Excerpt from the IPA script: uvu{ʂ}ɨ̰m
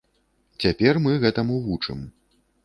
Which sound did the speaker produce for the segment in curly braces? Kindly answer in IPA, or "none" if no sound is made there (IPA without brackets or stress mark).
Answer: t͡ʂ